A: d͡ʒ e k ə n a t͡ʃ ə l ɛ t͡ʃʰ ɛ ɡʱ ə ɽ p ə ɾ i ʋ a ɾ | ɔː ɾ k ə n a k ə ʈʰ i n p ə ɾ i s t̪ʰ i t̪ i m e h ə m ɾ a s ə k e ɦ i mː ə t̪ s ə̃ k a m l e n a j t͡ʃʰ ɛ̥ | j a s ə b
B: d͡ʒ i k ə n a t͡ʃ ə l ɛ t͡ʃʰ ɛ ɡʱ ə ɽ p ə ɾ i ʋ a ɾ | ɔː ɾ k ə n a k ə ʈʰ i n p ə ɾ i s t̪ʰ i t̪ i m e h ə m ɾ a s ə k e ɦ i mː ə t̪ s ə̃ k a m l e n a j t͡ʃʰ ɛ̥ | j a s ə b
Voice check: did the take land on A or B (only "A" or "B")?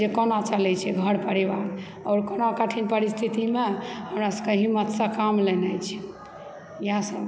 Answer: A